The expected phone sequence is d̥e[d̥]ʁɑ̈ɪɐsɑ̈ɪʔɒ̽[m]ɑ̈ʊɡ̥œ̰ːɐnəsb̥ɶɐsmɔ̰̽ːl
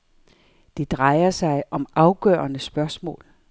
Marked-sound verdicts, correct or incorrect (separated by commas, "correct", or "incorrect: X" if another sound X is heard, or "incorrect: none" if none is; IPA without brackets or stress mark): correct, correct